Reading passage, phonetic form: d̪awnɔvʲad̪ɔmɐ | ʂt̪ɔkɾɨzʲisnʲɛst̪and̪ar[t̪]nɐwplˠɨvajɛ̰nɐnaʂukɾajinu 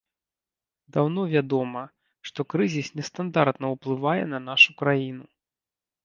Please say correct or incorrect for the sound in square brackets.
correct